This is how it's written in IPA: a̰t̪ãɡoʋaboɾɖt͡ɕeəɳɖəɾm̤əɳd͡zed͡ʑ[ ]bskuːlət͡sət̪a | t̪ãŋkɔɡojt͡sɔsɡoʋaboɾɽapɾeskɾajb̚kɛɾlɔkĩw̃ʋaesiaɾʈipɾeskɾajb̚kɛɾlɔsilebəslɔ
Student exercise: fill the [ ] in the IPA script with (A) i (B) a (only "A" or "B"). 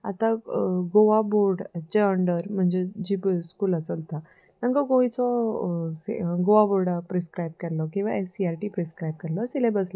A